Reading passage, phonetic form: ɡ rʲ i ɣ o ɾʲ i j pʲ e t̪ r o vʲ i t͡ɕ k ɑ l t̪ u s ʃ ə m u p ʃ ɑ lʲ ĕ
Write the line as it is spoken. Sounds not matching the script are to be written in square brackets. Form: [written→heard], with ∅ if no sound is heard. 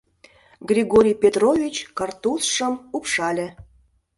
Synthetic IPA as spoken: ɡ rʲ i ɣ o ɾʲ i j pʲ e t̪ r o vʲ i t͡ɕ k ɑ [l→r] t̪ u s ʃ ə m u p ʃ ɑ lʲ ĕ